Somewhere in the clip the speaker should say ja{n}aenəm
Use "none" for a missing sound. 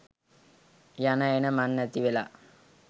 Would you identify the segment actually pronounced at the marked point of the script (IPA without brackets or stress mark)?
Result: n